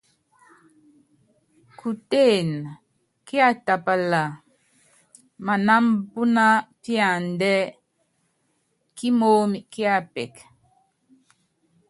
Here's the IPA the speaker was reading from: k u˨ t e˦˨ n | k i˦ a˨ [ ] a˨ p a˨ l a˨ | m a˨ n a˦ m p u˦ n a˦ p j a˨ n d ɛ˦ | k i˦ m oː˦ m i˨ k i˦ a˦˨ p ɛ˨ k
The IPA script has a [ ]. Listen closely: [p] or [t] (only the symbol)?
t